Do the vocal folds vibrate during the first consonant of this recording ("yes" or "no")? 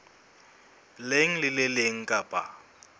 yes